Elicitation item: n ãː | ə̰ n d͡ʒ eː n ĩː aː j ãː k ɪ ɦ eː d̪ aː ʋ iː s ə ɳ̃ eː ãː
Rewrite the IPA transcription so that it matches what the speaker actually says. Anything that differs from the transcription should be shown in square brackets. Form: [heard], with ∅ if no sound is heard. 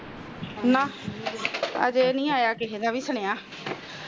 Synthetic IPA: n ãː | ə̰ [∅] d͡ʒ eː n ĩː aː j [aː] k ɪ ɦ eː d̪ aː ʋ iː s ə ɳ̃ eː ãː